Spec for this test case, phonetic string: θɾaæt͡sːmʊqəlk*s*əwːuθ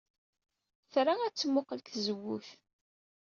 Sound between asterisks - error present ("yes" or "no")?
yes